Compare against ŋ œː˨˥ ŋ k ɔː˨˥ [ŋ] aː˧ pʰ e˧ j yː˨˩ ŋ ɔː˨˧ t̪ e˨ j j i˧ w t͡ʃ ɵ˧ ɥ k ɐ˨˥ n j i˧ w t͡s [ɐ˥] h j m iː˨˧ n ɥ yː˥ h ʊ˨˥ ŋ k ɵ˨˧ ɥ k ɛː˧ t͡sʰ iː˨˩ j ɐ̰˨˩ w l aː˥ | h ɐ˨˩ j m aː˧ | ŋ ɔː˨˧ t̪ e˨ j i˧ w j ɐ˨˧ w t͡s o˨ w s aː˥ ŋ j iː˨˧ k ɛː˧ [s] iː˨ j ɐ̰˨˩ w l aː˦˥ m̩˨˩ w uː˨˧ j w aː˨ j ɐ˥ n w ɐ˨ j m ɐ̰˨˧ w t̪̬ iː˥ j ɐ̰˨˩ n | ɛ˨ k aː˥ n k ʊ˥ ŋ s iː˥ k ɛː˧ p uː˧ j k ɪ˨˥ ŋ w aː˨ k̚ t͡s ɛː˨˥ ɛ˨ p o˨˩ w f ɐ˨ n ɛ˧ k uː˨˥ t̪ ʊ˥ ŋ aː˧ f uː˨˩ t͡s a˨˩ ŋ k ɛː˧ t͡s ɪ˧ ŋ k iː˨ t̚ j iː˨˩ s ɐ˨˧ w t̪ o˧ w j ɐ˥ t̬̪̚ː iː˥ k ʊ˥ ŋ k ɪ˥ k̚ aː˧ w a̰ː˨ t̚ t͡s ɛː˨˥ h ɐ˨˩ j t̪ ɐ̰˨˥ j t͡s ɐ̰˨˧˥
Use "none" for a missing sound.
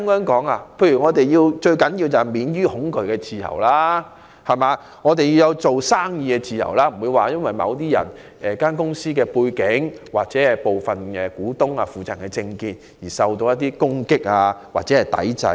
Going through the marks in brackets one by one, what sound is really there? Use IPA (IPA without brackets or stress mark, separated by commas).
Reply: ŋ, ɐ˨˩, t͡s